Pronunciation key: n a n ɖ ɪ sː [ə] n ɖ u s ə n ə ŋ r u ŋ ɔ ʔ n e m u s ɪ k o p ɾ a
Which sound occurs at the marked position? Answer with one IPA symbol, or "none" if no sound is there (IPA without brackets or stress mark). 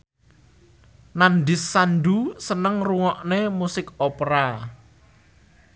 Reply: a